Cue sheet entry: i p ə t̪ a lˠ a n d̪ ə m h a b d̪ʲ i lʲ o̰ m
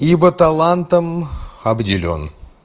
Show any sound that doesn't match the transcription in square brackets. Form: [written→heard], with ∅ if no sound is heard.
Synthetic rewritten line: i [p→b] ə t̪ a lˠ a n [d̪→t̪] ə m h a b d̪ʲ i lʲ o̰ [m→n]